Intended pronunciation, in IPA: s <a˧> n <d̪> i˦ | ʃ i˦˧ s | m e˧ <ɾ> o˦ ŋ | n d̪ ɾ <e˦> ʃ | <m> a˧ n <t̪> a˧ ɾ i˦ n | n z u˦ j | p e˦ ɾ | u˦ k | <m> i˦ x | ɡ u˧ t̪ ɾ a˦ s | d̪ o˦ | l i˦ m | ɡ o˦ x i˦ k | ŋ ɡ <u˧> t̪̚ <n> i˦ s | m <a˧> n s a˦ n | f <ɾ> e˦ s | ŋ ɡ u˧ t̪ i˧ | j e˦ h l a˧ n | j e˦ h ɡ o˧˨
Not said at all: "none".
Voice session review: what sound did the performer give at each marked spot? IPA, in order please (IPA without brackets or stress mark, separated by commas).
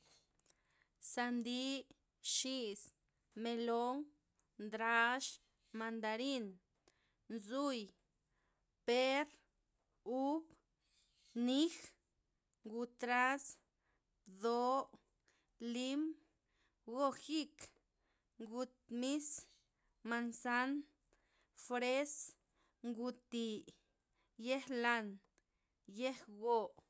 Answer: a˧, d̪, l, a˦, m, d̪, n, u˧, m, a˧, ɾ